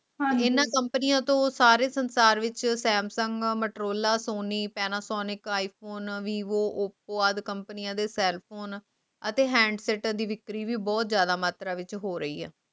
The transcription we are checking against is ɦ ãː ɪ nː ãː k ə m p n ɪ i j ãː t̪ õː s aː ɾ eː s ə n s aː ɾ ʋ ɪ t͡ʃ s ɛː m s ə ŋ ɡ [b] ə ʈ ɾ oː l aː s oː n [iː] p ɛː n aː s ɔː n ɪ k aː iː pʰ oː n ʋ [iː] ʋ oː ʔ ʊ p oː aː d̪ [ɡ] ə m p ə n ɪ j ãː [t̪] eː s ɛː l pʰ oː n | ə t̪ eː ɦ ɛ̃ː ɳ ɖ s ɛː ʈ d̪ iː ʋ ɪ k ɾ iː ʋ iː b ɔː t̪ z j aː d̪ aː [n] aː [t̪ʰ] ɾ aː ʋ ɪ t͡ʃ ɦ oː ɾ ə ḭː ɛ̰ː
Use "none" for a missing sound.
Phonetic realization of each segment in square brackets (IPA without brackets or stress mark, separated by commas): m, iː, iː, k, d̪, m, t̪